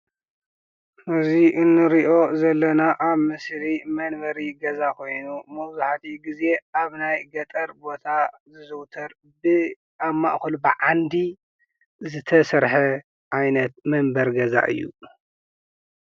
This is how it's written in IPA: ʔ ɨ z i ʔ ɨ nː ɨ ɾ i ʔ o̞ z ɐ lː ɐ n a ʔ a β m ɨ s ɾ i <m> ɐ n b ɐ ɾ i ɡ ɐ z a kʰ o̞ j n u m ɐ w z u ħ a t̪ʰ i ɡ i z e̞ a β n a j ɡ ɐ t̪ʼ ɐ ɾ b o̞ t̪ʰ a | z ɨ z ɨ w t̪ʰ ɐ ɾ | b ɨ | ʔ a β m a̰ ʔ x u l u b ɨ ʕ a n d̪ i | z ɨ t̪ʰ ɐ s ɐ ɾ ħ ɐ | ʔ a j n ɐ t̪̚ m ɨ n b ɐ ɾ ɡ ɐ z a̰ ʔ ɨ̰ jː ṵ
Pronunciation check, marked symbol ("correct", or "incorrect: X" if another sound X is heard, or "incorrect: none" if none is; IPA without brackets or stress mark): correct